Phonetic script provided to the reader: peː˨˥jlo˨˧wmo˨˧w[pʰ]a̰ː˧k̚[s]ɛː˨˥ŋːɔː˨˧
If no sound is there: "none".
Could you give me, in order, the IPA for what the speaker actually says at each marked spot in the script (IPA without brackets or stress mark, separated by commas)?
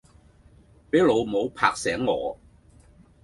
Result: pʰ, s